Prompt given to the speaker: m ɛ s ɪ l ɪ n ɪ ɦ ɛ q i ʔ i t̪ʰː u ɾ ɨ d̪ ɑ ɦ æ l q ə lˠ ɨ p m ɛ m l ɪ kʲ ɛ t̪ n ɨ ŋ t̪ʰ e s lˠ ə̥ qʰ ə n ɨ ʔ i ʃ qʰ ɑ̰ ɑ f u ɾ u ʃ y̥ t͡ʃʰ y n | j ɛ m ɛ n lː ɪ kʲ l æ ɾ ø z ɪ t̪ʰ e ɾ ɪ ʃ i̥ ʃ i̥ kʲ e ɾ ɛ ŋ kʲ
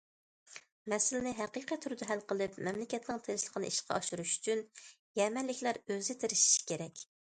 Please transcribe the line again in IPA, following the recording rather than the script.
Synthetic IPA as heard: m ɛ s ɪ l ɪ n ɪ ɦ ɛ q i q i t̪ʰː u ɾ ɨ d̪ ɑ ɦ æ l q ə lˠ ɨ p m ɛ m l ɪ kʲ ɛ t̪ n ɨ ŋ t̪ʰ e ʃ lˠ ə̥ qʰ ə n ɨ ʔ i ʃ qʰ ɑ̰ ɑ ʃ u ɾ u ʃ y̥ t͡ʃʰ y n | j ɛ m ɛ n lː ɪ kʲ l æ ɾ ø z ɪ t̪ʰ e ɾ ɪ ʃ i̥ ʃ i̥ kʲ e ɾ ɛ kʲ

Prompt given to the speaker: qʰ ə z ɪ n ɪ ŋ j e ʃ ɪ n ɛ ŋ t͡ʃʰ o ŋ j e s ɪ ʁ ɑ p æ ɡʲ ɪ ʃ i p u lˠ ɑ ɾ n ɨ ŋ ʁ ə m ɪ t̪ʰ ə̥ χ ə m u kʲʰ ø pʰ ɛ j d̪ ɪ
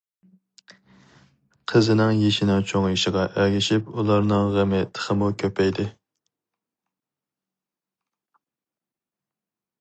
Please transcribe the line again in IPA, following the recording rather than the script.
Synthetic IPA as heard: qʰ ə z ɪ n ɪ ŋ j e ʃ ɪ n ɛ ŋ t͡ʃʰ o ŋ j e ʃ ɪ ʁ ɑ ʔ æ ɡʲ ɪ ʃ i p u lˠ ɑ ɾ n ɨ ŋ ʁ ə m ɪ t̪ʰ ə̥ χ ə m u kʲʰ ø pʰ ɛ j d̪ ɪ

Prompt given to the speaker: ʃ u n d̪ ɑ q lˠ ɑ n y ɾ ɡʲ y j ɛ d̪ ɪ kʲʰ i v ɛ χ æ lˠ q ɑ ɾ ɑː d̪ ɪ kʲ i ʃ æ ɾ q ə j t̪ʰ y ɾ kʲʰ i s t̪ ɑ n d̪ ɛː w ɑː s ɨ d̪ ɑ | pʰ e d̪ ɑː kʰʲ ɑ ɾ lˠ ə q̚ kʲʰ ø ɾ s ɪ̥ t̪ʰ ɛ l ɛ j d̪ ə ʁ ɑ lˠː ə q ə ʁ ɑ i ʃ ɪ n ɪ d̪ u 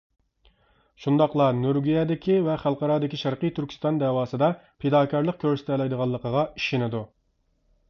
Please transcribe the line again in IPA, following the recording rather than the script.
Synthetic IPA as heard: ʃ u n d̪ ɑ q lˠ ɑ n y ɾ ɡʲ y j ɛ d̪ ɪ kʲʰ i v ɛ χ æ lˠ q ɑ ɾ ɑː d̪ ɪ kʲ i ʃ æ ɾ q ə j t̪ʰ y ɾ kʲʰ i s t̪ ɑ n d̪ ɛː w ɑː s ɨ d̪ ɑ | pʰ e d̪ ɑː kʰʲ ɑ ɾ lˠ ə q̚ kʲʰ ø ɾ s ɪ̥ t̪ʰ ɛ l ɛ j d̪ ə ʁ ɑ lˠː ə q ə ʁ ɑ i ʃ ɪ n ɪ d̪ u

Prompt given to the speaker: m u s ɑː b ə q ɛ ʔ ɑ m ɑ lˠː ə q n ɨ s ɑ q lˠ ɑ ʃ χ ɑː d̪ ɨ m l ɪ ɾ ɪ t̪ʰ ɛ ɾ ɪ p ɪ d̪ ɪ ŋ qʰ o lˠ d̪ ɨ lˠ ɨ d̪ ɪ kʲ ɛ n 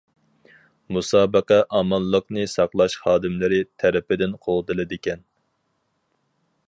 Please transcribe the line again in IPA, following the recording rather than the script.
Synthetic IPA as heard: m u s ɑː b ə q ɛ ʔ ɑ m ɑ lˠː ə q n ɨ s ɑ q lˠ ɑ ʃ χ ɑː d̪ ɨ m l ɪ ɾ ɪ t̪ʰ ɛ ɾ ɪ p ɪ d̪ ɪ n qʰ o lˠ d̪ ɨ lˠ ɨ d̪ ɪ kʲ ɛ n

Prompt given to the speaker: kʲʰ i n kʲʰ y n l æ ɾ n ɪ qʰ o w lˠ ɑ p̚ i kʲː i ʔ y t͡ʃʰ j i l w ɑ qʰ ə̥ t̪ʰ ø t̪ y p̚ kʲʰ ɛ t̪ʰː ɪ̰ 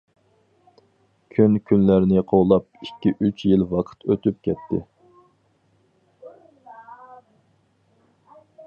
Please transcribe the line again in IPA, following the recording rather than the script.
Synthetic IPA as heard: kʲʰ y n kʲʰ y n l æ ɾ n ɪ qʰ o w lˠ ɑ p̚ i kʲː i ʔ y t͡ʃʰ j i l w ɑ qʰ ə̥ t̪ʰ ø t̪ y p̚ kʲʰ ɛ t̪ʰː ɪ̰

